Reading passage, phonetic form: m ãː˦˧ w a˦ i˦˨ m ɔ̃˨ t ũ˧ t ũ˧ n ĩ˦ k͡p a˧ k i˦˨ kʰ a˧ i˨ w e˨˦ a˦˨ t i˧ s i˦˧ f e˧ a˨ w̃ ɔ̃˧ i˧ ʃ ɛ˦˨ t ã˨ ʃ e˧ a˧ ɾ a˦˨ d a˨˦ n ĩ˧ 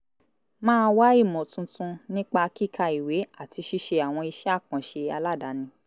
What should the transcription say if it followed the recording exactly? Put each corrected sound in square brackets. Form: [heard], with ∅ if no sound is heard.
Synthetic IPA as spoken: m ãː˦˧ w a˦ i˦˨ m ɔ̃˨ t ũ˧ t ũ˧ n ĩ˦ k͡p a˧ k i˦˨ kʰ a˧ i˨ w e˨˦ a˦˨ t i˧ [ʃ] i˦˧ [ʃ] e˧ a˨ w̃ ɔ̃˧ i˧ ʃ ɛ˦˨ [k] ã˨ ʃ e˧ a˧ [l] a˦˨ d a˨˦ n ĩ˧